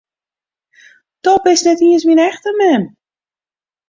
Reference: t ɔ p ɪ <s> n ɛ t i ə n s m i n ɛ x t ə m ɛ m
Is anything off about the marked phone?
no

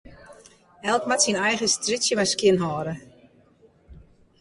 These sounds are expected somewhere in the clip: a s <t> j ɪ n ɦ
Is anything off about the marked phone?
yes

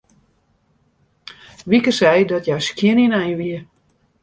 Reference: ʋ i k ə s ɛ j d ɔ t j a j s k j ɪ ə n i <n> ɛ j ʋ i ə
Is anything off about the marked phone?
no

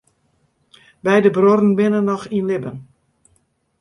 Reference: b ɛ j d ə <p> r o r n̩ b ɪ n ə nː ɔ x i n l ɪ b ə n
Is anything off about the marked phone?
yes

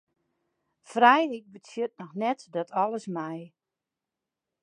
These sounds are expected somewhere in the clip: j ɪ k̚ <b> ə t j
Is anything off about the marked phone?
no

